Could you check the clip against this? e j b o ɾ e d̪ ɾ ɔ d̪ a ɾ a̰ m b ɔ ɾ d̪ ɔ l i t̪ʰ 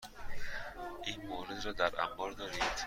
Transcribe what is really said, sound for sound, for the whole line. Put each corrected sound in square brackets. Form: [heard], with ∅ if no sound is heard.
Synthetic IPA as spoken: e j [m] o ɾ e d̪ ɾ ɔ d̪ a ɾ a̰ m b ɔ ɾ d̪ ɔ [ɾ] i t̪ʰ